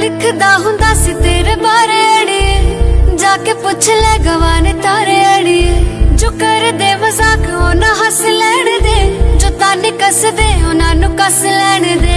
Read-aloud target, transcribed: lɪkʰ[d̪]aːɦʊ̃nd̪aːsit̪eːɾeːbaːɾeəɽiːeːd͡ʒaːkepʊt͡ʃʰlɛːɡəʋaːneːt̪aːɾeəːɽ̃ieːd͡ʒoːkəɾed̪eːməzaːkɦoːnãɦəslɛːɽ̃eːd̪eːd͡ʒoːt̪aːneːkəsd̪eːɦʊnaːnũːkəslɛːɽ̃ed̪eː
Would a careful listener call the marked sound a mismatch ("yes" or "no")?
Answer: no